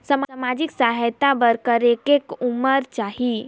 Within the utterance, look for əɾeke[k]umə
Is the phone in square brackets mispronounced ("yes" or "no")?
no